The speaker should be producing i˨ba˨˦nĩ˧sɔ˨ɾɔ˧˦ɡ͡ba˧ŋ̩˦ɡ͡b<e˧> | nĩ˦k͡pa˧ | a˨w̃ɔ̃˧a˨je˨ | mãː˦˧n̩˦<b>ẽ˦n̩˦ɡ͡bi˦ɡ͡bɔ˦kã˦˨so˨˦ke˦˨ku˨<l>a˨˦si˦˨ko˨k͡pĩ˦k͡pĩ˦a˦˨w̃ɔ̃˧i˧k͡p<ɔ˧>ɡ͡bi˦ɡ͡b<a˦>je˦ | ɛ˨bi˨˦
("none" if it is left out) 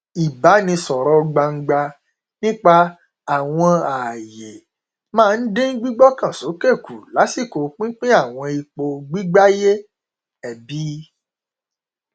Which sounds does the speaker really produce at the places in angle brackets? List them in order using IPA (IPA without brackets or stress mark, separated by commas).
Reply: a˧, d, l, o˧, a˦